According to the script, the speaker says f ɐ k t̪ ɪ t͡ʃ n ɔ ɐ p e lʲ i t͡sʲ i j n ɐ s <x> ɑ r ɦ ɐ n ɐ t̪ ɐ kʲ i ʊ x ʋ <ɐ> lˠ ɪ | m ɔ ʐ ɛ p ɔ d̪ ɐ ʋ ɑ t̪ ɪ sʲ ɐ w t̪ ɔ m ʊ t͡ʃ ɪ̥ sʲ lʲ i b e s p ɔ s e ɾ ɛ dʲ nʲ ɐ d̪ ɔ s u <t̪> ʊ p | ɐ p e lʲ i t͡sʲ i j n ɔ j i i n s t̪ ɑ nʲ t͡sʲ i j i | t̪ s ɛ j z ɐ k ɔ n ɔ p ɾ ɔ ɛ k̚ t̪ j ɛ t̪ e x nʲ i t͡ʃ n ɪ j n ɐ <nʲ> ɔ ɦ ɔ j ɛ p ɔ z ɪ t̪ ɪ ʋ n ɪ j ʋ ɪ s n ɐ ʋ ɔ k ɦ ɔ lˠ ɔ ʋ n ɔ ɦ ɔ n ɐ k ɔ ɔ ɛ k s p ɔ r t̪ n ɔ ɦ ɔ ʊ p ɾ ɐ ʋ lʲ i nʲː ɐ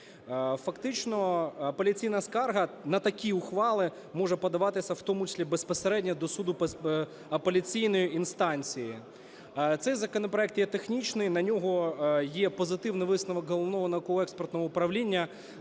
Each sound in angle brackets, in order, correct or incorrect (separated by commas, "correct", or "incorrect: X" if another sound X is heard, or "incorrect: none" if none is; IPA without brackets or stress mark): incorrect: k, incorrect: ɑ, incorrect: d̪, correct